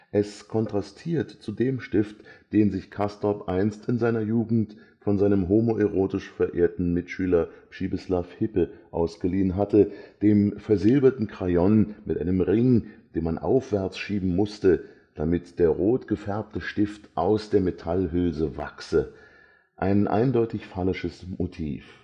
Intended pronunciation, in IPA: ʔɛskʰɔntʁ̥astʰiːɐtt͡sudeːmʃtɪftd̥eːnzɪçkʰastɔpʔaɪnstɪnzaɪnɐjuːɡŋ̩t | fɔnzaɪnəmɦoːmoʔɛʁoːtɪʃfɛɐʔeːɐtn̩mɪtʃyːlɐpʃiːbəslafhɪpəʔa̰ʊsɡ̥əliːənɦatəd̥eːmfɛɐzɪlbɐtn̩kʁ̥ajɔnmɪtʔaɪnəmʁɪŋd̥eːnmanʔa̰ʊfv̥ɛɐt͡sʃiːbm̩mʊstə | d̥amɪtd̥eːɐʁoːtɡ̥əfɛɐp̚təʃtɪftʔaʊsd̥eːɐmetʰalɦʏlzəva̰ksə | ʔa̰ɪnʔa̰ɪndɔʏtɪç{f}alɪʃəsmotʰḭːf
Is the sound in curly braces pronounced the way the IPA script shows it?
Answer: yes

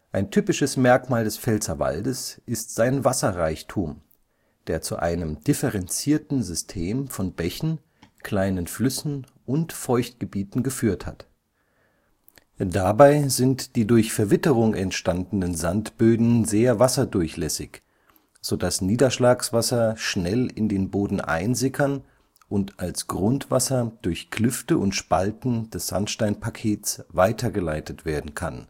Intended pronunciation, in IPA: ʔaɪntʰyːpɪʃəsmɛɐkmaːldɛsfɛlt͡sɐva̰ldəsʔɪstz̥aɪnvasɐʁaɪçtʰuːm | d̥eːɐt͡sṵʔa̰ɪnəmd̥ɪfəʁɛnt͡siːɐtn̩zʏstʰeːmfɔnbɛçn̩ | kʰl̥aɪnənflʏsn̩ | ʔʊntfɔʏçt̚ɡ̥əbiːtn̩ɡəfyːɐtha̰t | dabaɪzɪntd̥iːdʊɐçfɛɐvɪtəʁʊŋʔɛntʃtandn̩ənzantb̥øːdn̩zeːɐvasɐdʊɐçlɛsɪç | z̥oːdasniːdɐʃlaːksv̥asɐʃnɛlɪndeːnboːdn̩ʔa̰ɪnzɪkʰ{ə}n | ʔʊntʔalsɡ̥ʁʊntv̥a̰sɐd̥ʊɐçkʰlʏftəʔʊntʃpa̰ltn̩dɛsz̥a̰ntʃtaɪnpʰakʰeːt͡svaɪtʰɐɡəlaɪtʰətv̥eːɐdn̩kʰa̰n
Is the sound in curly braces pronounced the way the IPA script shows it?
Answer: no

